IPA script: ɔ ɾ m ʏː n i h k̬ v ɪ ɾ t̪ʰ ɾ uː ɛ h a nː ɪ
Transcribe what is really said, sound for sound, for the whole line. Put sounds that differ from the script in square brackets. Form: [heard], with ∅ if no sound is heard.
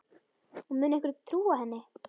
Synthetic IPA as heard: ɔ [∅] m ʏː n [ɛ] h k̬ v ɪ ɾ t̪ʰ ɾ uː [a] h [ɛ] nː ɪ